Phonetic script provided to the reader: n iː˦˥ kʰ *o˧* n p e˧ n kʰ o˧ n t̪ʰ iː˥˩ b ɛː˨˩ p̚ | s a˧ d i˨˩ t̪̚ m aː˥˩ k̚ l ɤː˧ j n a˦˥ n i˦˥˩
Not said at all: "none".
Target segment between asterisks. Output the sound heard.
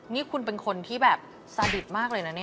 u˧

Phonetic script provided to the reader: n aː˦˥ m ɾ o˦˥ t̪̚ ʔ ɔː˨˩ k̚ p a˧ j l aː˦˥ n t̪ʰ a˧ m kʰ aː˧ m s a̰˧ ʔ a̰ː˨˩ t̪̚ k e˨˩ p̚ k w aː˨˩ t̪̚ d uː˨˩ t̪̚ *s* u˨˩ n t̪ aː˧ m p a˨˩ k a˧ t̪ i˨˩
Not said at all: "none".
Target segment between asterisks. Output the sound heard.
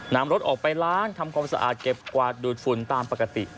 f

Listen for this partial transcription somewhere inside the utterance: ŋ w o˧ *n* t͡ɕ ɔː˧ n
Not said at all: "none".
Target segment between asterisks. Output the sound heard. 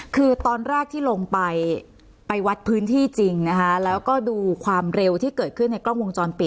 ŋ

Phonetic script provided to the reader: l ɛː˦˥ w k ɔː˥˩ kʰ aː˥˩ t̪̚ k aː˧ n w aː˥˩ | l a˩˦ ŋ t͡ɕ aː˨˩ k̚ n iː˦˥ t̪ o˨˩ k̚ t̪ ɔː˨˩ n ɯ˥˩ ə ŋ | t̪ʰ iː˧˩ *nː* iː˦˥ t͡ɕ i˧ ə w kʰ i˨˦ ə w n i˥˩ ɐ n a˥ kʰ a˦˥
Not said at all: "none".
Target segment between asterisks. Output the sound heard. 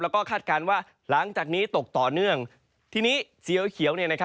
n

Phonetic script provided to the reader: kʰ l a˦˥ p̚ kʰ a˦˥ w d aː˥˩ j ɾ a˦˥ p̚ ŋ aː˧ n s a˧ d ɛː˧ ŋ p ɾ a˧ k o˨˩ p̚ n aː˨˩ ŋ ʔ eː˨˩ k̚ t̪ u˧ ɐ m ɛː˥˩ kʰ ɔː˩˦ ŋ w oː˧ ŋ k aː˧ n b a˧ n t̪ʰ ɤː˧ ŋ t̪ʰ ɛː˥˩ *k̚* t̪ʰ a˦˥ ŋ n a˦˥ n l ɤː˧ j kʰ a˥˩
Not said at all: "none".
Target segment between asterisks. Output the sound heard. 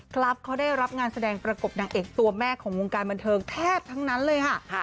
p̚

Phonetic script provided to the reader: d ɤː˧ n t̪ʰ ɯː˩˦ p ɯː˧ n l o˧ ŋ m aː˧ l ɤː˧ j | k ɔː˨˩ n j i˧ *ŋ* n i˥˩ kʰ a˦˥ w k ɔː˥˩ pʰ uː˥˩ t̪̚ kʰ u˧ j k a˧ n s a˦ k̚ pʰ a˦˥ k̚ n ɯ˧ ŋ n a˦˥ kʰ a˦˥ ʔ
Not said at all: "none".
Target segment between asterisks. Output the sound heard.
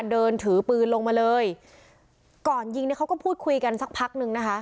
ŋ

